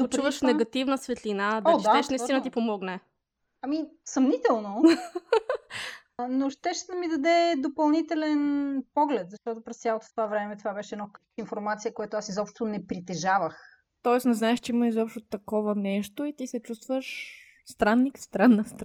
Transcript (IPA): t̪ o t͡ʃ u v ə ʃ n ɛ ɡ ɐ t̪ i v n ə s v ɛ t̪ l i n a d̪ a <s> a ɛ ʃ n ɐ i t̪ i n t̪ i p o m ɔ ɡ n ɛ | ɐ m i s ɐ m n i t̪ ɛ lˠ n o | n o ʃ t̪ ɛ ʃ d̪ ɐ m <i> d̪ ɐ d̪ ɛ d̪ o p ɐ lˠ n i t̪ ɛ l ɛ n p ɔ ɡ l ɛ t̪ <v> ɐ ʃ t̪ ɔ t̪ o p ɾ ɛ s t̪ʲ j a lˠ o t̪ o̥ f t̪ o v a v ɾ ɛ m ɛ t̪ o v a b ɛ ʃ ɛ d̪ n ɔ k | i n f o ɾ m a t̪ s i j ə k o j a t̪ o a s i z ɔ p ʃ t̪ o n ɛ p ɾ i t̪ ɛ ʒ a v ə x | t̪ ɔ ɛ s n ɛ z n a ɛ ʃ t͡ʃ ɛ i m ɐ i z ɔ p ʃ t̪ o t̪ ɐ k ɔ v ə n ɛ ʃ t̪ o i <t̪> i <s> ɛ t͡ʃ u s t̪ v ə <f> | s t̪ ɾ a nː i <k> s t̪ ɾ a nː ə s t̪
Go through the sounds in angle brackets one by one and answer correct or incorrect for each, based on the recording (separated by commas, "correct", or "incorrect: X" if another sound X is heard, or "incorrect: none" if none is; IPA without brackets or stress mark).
incorrect: ʃ, correct, incorrect: z, correct, correct, incorrect: ʃ, correct